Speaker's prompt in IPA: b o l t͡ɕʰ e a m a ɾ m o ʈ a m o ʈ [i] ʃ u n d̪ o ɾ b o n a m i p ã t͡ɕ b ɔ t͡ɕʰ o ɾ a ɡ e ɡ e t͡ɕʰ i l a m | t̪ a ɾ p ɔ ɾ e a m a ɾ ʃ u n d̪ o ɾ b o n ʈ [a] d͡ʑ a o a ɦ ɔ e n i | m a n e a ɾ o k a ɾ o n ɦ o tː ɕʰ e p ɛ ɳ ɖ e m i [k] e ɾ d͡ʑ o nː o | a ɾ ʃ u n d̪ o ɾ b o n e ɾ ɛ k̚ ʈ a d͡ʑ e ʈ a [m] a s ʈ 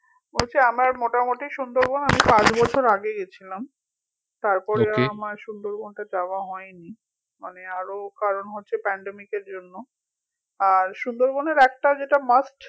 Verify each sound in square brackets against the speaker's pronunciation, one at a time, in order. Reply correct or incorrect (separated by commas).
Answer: correct, correct, correct, correct